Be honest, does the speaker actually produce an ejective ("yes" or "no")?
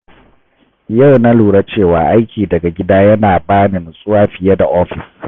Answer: yes